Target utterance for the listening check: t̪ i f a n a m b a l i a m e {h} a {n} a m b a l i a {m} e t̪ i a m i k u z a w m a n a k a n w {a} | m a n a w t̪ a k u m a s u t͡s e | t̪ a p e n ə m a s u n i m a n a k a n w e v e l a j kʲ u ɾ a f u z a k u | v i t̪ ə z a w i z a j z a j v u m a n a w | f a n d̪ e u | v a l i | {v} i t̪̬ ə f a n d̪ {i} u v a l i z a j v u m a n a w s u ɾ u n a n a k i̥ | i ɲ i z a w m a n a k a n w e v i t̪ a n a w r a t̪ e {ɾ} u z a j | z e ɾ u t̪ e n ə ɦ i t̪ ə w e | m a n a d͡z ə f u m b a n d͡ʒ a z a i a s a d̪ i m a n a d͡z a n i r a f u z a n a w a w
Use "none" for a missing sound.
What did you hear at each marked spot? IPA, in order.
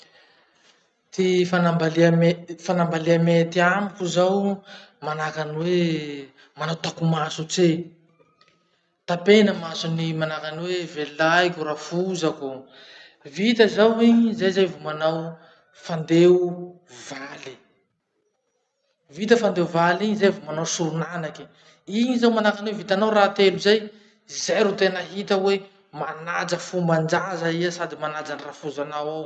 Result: f, n, m, e, v, e, l

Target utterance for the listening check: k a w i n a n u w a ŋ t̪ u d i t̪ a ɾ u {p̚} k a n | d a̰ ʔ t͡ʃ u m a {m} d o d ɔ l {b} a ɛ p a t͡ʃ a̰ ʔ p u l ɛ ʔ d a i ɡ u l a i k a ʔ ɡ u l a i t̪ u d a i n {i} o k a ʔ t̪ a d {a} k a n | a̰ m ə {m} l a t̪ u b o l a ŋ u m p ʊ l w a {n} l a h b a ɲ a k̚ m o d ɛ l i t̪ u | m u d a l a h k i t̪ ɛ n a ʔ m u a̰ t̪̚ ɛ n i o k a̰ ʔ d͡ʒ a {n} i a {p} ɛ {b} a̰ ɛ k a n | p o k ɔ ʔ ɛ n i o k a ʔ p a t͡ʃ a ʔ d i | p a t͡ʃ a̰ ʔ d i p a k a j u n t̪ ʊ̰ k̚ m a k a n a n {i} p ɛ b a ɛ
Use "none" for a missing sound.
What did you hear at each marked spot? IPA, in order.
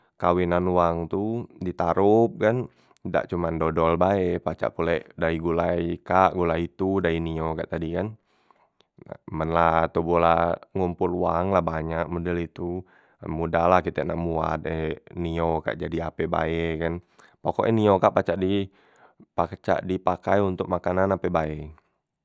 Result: p̚, n, b, i, i, n, ŋ, d, p, b, a

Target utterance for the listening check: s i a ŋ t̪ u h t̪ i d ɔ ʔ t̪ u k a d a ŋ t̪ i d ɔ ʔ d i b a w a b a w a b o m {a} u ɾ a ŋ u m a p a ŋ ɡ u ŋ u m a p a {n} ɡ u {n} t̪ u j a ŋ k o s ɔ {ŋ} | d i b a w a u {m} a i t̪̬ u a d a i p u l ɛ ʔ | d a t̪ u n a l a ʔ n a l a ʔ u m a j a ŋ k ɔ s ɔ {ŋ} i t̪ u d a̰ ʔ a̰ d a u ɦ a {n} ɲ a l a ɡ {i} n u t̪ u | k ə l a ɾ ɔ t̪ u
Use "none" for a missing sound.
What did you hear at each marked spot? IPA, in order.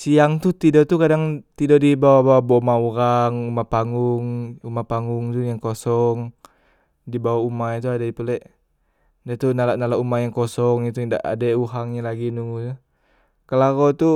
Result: a, ŋ, ŋ, ŋ, m, ŋ, ŋ, i

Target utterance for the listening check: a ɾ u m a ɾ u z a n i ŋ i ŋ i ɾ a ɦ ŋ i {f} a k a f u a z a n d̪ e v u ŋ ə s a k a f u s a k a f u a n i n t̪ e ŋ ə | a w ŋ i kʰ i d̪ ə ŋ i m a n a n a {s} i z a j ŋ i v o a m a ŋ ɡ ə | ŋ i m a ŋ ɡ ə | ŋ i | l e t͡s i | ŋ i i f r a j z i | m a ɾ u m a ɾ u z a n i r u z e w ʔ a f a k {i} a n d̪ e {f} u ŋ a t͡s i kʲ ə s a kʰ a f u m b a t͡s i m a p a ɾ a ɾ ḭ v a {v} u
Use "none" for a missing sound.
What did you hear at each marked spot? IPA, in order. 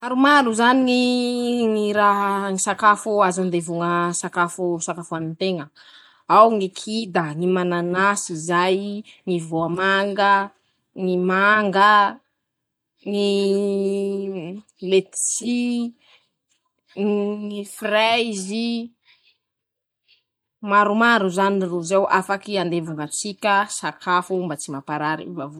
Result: s, s, i, v, v

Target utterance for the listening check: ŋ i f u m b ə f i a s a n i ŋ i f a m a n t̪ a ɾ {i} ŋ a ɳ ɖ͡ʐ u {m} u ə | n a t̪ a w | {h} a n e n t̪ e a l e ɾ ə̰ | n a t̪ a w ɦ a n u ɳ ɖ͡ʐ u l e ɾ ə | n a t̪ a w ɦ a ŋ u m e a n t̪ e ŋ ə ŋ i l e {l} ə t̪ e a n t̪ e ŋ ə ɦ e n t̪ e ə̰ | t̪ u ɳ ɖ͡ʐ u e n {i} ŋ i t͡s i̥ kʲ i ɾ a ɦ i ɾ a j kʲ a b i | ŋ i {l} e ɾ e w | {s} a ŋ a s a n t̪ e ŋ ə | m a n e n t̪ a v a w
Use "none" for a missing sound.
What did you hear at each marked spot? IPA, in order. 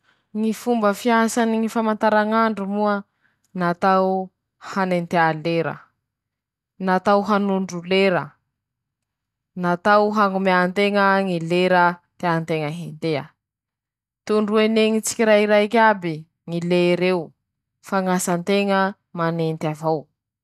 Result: a, m, h, ɾ, e, l, f

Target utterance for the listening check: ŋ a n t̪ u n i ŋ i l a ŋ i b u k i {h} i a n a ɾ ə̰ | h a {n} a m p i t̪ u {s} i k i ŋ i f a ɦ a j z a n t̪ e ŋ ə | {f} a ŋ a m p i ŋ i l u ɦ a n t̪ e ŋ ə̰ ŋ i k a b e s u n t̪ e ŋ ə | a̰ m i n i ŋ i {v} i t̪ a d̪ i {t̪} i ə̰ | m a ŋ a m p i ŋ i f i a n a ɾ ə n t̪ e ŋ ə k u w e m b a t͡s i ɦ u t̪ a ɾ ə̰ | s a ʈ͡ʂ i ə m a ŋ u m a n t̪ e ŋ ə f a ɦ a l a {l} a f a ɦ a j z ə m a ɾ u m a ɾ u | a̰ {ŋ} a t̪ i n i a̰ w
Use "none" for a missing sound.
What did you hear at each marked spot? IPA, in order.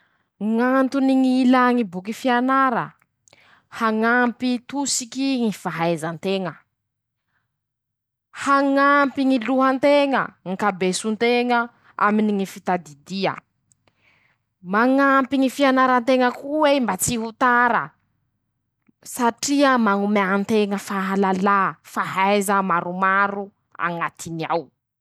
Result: f, ŋ, s, h, f, d̪, l, ŋ

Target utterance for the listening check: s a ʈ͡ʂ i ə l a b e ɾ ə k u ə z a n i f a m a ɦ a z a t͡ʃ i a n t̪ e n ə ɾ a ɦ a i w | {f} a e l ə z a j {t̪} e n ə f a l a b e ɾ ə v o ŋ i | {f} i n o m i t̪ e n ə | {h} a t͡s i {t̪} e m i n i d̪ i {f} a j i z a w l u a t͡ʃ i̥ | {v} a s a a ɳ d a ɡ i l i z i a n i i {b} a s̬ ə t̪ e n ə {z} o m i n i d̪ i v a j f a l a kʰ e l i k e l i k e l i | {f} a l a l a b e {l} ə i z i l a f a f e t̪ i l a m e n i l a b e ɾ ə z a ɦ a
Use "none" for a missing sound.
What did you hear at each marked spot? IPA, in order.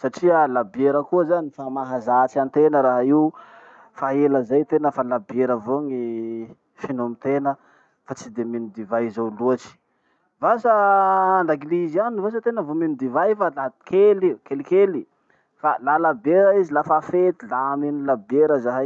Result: f, t̪, f, f, d̪, v, v, v, v, f, ɾ

